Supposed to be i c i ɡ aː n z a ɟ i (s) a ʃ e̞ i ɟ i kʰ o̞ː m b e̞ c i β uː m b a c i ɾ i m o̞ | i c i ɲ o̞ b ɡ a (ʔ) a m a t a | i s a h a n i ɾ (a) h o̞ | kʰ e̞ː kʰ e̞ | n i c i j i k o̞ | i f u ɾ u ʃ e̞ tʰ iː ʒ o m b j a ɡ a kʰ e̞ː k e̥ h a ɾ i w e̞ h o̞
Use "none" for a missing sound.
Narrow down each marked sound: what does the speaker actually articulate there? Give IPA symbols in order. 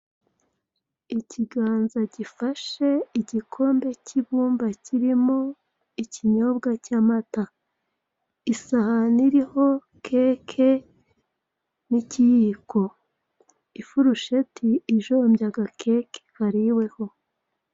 f, c, i

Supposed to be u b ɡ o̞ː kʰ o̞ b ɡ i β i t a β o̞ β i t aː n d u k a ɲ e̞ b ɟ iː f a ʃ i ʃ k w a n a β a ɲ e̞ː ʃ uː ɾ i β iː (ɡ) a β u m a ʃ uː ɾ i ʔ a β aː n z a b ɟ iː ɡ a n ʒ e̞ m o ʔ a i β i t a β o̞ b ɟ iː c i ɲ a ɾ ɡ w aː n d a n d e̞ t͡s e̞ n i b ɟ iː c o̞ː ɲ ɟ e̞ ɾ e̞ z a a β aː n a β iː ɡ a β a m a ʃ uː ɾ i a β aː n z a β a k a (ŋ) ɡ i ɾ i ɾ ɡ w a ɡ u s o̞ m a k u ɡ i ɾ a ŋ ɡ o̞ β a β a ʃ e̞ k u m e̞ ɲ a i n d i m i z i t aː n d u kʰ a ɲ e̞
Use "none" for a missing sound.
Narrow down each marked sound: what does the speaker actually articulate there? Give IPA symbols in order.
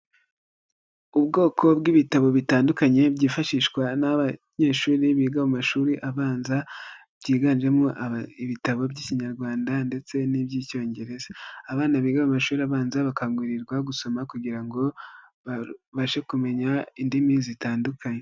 ɡ, ŋ

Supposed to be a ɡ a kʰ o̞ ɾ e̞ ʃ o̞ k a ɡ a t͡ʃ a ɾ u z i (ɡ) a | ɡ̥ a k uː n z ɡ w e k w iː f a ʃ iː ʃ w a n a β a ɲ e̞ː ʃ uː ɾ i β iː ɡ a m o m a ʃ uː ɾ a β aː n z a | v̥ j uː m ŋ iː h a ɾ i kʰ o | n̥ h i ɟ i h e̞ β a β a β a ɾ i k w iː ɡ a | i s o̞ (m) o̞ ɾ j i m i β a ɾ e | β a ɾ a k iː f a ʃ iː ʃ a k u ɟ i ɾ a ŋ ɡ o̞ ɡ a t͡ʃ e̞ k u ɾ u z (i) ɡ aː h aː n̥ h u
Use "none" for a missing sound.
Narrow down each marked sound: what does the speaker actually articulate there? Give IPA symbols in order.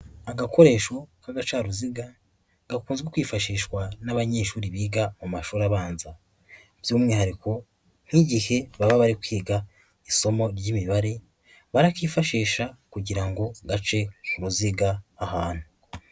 ɡ, m, i

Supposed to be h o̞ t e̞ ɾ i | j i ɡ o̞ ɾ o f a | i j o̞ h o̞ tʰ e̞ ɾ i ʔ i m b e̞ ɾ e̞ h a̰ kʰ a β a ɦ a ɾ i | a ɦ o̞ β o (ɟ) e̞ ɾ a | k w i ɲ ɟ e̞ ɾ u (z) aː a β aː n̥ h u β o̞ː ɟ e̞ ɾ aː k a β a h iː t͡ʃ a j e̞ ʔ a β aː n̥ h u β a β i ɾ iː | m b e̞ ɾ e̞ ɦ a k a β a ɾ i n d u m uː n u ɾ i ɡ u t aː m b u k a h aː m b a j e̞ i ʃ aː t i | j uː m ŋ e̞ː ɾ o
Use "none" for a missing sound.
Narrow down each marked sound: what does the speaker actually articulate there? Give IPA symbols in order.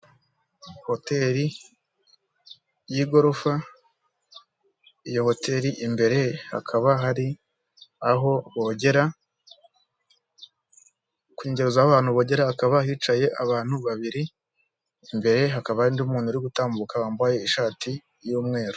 ɟ, z

